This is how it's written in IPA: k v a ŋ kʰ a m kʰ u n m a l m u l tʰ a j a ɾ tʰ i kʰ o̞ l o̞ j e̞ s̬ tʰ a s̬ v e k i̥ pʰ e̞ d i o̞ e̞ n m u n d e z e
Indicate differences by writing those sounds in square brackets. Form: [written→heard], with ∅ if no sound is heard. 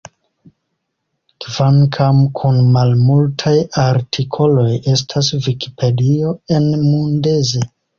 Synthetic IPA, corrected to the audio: k v a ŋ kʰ a m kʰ u n m a l m u l tʰ a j a ɾ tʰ i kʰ o̞ l o̞ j e̞ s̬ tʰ a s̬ v [e→i] k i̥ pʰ e̞ d i o̞ e̞ n m u n d e z e